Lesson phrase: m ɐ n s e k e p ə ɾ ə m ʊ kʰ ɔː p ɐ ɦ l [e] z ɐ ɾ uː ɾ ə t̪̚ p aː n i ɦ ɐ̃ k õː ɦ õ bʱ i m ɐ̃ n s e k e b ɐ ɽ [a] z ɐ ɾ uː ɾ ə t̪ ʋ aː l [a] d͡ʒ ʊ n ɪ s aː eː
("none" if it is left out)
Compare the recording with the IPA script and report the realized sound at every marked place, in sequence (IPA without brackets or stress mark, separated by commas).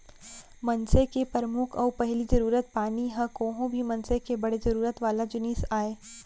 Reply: i, e, a